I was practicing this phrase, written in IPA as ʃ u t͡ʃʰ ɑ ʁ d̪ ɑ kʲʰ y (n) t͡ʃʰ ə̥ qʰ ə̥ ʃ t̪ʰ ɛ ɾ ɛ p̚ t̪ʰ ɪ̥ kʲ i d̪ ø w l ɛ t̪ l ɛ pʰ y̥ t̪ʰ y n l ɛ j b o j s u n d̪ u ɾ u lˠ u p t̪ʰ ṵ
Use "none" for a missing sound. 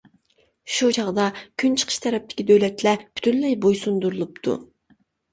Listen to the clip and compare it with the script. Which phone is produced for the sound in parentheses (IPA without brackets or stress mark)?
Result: n